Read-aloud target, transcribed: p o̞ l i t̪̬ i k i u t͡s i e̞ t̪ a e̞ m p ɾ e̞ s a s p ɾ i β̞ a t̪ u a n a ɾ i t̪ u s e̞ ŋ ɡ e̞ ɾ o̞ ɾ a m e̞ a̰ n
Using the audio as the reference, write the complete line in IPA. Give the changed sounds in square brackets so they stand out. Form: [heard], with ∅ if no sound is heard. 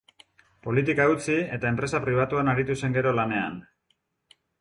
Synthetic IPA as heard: p o̞ l i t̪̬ i k [a] u t͡s i e̞ t̪ a e̞ m p ɾ e̞ s a [∅] p ɾ i β̞ a t̪ u a n a ɾ i t̪ u s e̞ ŋ ɡ e̞ ɾ o̞ [l] a [n] e̞ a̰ n